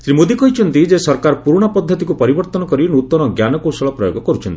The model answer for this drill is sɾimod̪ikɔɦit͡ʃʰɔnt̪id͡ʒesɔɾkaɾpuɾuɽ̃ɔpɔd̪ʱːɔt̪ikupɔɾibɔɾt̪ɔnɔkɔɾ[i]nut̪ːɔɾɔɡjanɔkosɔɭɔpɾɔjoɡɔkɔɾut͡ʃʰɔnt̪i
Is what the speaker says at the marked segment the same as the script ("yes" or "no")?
yes